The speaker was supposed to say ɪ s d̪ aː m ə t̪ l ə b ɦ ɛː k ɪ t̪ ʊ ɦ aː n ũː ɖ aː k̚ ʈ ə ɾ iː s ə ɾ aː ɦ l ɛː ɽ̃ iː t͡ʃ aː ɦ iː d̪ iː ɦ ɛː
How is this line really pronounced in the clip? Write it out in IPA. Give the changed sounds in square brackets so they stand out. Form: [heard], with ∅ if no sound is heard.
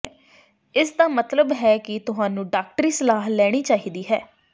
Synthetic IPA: ɪ s d̪ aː m ə t̪ l ə b ɦ ɛː k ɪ t̪ ʊ ɦ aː n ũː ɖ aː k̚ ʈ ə ɾ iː s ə [l] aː ɦ l ɛː ɽ̃ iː t͡ʃ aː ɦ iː d̪ iː ɦ ɛː